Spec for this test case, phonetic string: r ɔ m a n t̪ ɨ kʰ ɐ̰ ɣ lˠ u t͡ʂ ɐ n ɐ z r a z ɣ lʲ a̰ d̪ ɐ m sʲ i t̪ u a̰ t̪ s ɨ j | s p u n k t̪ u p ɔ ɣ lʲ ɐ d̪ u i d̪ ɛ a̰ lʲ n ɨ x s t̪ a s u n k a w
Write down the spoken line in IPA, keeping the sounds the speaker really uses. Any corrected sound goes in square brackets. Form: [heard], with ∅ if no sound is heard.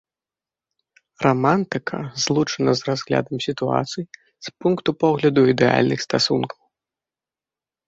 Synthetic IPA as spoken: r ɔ m a n t̪ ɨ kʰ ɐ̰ [z] lˠ u t͡ʂ ɐ n ɐ z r a z ɣ lʲ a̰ d̪ ɐ m sʲ i t̪ u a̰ t̪ s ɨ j | s p u n k t̪ u p ɔ ɣ lʲ ɐ d̪ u i d̪ ɛ a̰ lʲ n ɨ x s t̪ a s u n k [ɐ] w